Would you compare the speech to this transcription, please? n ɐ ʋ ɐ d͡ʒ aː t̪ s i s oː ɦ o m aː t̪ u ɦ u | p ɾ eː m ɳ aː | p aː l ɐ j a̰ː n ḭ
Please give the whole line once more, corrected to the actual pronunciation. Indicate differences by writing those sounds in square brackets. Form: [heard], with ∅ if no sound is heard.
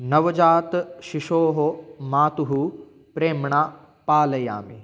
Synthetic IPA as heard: n ɐ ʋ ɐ d͡ʒ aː t̪ [ʃ] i [ʃ] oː ɦ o m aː t̪ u ɦ u | p ɾ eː m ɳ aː | p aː l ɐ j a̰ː [m] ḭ